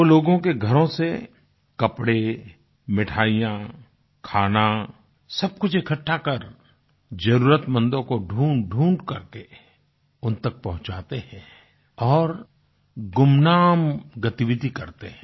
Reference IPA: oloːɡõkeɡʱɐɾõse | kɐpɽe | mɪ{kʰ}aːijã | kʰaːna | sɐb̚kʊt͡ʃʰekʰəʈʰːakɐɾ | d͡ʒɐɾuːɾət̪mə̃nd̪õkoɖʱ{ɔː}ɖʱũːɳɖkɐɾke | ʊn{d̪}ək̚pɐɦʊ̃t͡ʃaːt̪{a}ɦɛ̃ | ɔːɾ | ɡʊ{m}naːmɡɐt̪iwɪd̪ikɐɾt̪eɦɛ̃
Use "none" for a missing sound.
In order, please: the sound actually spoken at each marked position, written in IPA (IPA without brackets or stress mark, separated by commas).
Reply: ʈʰ, uː, t̪, e, m